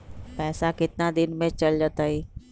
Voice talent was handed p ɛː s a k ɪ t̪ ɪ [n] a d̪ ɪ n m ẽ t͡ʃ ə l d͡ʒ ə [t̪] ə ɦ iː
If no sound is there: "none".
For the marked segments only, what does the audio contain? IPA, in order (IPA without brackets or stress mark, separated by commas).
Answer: n, t̪